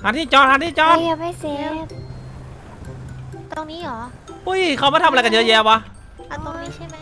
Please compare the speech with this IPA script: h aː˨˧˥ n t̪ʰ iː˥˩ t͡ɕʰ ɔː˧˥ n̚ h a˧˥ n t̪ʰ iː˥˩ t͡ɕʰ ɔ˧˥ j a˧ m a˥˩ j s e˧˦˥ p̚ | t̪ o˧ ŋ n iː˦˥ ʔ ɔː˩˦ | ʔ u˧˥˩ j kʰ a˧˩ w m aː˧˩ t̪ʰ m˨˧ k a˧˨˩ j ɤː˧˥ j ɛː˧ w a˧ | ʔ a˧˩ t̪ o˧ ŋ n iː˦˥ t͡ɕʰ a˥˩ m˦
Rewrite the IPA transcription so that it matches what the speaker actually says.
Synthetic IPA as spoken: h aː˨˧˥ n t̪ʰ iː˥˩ t͡ɕ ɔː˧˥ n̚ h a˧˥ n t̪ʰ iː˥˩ t͡ɕ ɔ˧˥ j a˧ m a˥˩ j s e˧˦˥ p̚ | t̪ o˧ ŋ n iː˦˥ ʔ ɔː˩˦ | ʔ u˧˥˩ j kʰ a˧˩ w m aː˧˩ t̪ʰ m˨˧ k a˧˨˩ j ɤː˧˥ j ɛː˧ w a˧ | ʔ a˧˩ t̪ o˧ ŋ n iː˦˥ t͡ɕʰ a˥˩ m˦